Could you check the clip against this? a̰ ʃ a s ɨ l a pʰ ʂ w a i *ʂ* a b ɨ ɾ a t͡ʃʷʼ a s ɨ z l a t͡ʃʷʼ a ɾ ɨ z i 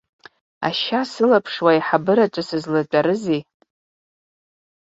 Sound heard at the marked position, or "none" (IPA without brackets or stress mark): ħ